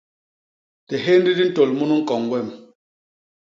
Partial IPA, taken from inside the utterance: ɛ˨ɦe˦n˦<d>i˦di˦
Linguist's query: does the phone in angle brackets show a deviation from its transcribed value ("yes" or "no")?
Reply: no